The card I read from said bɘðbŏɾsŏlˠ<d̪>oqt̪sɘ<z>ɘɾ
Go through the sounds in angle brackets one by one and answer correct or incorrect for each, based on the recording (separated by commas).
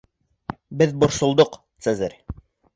correct, correct